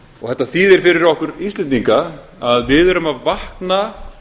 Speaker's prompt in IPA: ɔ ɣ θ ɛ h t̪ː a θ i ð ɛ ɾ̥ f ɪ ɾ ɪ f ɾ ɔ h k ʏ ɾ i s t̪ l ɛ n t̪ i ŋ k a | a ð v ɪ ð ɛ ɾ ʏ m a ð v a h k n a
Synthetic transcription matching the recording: ɔ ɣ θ ɛ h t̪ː a θ i ð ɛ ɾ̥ f ɪ ɾ ɪ ɾ ɔ h k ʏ ɾ i s t̪ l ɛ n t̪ i ŋ k a | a ð v ɪ ð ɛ ɾ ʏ m a ð v a h k n a